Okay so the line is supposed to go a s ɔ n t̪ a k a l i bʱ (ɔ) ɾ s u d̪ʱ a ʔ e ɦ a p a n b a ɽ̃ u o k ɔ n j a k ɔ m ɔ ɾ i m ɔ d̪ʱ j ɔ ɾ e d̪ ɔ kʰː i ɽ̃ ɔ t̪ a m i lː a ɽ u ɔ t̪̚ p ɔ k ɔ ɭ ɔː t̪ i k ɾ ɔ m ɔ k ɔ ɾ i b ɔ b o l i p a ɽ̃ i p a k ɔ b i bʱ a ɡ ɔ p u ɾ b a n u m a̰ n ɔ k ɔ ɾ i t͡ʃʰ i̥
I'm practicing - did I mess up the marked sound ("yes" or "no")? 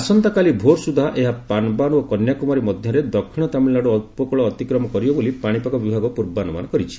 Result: yes